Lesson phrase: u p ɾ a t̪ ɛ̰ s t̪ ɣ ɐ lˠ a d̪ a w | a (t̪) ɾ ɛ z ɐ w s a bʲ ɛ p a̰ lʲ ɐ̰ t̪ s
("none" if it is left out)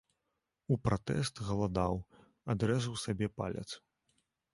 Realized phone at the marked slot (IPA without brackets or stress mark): d̪